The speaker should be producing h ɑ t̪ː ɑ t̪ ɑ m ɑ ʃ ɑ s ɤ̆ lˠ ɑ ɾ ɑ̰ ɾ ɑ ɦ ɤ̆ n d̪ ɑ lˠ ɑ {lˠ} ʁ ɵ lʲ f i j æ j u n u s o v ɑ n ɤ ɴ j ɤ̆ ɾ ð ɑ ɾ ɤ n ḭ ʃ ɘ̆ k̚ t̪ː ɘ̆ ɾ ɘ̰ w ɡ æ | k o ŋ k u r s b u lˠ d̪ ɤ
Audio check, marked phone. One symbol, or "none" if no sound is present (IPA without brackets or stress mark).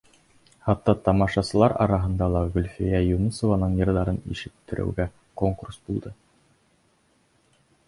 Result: none